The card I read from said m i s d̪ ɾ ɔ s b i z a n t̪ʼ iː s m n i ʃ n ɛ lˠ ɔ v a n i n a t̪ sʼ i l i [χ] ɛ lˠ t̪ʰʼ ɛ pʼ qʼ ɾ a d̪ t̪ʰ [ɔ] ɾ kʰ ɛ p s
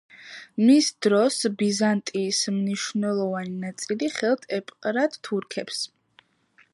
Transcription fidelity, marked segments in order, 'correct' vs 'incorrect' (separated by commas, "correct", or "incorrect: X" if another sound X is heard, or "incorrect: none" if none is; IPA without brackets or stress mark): correct, incorrect: u